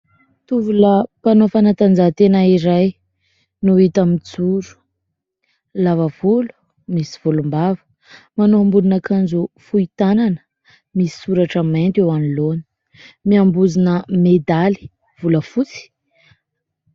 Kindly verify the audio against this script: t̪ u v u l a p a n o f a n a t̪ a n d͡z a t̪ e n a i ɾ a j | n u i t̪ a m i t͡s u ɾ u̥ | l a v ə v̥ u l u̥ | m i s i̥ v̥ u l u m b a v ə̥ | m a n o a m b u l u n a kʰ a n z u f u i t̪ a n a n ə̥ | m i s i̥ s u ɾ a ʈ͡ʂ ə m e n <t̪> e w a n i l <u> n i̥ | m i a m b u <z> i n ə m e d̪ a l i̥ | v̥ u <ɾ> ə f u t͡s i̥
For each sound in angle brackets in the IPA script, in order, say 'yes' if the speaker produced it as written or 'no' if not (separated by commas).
yes, no, yes, no